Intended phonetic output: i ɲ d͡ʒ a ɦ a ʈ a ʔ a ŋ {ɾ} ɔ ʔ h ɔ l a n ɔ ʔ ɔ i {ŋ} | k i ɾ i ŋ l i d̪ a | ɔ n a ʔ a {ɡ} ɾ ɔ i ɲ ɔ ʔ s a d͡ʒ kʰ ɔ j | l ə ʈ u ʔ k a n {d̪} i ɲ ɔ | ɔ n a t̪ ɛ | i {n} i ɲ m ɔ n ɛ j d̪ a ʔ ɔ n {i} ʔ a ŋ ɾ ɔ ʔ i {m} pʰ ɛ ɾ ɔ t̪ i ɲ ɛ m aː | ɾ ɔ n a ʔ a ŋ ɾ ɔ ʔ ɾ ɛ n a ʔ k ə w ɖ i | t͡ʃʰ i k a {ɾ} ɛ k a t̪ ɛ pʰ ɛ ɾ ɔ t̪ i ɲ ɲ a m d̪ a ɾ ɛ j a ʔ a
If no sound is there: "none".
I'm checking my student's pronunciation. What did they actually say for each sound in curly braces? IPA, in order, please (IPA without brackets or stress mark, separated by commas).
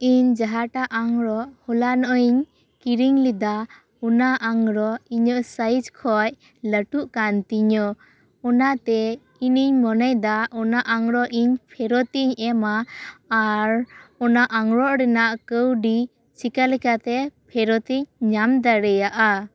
ɾ, ɲ, ŋ, t̪, n, a, ɲ, l